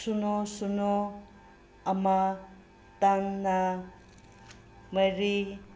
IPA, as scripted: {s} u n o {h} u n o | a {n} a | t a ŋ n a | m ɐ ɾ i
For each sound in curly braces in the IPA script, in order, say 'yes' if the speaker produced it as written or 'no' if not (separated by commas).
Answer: yes, no, no